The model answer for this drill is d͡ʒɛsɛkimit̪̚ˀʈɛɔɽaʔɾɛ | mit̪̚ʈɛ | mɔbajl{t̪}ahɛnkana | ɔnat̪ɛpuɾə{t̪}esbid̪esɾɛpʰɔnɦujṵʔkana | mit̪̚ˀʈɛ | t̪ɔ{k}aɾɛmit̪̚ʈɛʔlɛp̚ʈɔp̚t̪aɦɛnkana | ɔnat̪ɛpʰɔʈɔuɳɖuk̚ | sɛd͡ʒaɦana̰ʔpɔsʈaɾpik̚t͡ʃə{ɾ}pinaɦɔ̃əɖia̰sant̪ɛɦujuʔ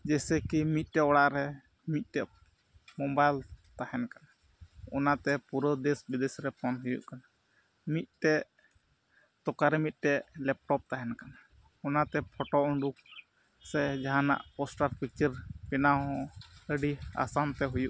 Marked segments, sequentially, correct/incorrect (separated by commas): correct, incorrect, correct, correct